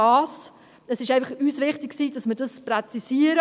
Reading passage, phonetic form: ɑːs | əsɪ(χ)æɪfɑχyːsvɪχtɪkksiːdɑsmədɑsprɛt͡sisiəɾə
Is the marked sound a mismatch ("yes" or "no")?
yes